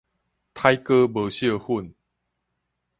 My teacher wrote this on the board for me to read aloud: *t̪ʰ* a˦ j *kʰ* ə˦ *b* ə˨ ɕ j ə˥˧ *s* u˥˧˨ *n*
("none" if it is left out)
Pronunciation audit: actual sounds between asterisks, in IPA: t̪ʰ, k, b, h, n

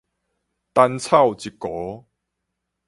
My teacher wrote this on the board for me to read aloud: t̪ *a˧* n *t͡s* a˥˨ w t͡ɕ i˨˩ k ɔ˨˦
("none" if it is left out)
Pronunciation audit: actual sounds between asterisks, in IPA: a˧, t͡sʰ

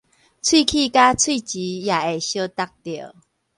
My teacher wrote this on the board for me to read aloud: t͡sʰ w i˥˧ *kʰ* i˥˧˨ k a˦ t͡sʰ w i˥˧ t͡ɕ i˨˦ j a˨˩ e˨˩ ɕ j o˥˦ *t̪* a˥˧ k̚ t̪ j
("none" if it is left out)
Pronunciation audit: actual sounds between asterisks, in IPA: kʰ, t̪

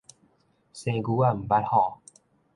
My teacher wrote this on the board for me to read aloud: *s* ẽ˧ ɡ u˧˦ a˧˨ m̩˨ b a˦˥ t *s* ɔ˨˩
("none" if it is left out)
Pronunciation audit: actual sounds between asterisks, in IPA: s, h

